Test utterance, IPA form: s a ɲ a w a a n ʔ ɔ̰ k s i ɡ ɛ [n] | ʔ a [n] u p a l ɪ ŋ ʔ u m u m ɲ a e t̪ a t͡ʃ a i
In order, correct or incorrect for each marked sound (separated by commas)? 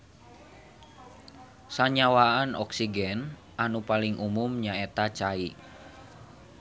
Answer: correct, correct